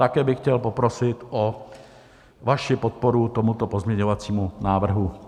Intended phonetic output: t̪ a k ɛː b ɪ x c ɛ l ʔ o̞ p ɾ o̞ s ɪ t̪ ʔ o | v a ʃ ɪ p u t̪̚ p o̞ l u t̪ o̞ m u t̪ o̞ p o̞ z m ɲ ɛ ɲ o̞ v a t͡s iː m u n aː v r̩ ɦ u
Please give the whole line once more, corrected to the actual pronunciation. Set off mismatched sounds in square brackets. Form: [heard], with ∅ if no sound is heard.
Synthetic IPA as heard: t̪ a k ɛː b ɪ x c ɛ l [p] o̞ p ɾ o̞ s ɪ t̪ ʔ o | v a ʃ ɪ p [o] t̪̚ p o̞ [ɾ] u t̪ o̞ m u t̪ o̞ p o̞ z m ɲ ɛ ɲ o̞ v a t͡s iː m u n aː v r̩ ɦ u